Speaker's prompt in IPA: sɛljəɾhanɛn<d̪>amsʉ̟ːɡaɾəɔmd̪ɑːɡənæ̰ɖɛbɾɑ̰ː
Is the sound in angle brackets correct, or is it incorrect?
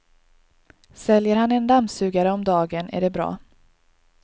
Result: correct